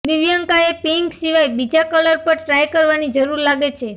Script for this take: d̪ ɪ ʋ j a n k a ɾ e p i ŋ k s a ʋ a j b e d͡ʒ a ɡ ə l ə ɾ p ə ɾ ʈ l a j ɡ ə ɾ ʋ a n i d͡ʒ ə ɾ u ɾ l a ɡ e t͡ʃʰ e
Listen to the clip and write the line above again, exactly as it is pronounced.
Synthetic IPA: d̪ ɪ ʋ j a ŋ k a e p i ŋ k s i ʋ a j b i d͡ʒ a k ə l ə ɾ p ə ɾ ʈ ɾ a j k ə ɾ ʋ a n i d͡ʒ ə ɾ u ɾ l a ɡ e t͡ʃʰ e

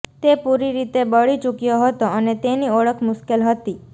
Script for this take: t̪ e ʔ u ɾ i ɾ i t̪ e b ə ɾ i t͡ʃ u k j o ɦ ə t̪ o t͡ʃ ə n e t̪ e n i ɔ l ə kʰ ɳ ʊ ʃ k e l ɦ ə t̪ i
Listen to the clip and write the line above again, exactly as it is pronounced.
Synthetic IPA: t̪ e p u ɾ i ɾ i t̪ e b ə ɭ i t͡ʃ u k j o ɦ ə t̪ o ə n e t̪ e n i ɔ ɭ ə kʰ m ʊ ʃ k e l ɦ ə t̪ i

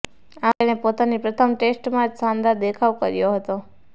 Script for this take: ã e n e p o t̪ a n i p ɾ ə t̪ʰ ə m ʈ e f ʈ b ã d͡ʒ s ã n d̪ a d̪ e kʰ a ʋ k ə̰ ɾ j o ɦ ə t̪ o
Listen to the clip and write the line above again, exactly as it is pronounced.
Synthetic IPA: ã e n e p o t̪ a n i p ɾ ə t̪ʰ ə m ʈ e s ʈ m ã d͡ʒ s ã n d̪ a d̪ e kʰ a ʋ k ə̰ ɾ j o ɦ ə t̪ o

